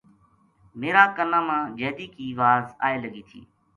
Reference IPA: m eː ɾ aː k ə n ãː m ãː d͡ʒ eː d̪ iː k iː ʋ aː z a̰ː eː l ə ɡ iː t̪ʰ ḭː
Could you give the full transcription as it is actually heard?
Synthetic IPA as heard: m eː ɾ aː k ə n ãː m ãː d͡ʒ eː d̪ iː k iː ʋ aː z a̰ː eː l ə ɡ iː t̪ʰ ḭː